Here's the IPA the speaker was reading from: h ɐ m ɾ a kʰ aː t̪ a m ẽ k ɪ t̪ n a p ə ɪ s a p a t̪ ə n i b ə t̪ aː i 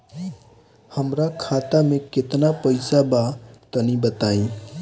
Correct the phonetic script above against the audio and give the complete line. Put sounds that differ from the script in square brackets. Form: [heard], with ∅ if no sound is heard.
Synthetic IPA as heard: h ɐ m ɾ a kʰ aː t̪ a m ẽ k ɪ t̪ n a p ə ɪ s a [b] a t̪ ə n i b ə t̪ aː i

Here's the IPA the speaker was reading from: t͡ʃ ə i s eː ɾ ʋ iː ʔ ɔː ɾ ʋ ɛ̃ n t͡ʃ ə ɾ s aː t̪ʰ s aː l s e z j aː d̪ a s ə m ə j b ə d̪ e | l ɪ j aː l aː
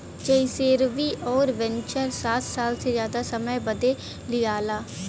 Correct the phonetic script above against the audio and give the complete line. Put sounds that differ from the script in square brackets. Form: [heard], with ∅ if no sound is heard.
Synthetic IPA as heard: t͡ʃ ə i s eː ɾ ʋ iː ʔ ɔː ɾ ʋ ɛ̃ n t͡ʃ ə ɾ s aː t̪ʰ s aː l s e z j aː d̪ a s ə m ə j b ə d̪ e | l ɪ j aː l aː

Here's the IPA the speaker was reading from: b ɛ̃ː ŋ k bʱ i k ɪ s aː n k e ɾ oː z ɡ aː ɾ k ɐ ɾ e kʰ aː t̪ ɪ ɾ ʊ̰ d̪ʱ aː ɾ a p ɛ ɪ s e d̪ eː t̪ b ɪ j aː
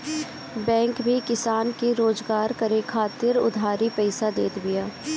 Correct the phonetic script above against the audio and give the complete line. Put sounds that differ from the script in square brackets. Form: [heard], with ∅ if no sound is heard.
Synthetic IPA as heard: b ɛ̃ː ŋ k bʱ i k ɪ s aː n k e ɾ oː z ɡ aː ɾ k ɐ ɾ e kʰ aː t̪ ɪ ɾ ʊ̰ d̪ʱ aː ɾ [i] p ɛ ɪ s [a] d̪ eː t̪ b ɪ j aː

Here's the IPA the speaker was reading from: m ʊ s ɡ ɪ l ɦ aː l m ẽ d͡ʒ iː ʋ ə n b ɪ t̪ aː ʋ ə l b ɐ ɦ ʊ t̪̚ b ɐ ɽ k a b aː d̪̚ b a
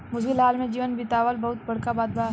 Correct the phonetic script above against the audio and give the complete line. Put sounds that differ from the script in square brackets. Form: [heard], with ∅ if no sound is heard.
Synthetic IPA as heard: m ʊ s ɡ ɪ l ɦ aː l m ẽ d͡ʒ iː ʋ ə n b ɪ t̪ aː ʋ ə l b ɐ ɦ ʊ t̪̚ b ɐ ɽ k a b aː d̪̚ b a

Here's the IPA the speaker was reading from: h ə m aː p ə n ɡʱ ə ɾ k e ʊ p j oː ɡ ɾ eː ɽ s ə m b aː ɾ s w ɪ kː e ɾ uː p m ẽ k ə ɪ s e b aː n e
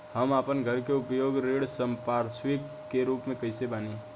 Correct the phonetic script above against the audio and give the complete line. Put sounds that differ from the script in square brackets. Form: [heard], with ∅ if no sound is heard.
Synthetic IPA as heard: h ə m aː p ə n ɡʱ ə ɾ k e ʊ p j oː ɡ ɾ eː ɽ s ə m [p] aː ɾ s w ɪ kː e ɾ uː p m ẽ k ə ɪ s e b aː n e

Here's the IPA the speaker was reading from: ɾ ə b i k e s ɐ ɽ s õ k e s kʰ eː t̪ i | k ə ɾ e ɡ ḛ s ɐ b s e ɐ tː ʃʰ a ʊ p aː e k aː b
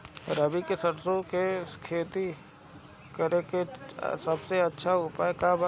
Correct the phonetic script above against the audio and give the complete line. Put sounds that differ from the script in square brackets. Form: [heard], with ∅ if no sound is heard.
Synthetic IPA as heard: ɾ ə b i k e s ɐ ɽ s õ k e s kʰ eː t̪ i | k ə ɾ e [k] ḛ s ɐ b s e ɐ tː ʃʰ a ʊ p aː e k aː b

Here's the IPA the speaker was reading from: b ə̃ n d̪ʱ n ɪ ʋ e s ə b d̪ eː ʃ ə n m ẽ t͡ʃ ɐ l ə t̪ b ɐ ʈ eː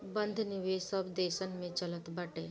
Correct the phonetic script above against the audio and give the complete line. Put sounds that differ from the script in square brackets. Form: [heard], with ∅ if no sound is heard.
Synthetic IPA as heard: b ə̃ n d̪ʱ n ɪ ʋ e s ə b d̪ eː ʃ ə n m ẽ t͡ʃ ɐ l ə t̪ b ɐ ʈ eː

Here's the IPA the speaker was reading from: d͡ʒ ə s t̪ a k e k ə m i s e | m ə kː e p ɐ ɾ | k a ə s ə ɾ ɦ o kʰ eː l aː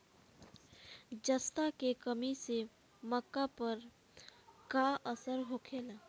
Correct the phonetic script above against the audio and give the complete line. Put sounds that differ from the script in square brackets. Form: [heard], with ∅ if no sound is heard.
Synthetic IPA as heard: d͡ʒ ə s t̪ a k e k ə m i s e | m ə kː [a] p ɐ ɾ | k a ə s ə ɾ ɦ o kʰ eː l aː

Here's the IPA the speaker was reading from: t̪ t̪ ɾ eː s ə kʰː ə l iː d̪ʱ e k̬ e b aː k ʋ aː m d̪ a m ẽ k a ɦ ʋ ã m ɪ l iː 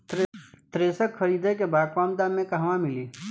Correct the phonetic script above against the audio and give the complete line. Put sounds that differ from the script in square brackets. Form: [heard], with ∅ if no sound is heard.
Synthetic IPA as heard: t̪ t̪ ɾ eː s ə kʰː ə [ɾ] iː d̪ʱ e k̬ e b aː k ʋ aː m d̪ a m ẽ k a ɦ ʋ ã m ɪ l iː

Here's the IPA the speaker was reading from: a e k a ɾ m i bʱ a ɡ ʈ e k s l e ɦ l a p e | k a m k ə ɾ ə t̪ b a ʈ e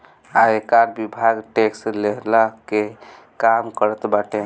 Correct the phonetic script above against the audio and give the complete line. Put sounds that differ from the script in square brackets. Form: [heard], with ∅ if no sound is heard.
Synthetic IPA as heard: a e k a ɾ [b] i bʱ a ɡ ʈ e k s l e ɦ l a [k] e | k a m k ə ɾ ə t̪ b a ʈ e

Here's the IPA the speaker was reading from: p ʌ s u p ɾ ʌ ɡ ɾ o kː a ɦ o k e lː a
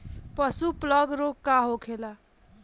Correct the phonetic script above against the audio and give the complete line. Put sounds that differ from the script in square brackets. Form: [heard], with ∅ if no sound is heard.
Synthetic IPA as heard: p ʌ s u p [l] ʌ ɡ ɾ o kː a ɦ o [kʰ] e [l] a

